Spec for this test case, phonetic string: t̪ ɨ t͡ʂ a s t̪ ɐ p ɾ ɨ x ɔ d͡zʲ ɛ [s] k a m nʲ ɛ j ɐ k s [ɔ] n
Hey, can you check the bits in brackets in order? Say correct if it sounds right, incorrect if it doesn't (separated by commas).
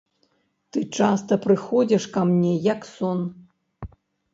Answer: incorrect, correct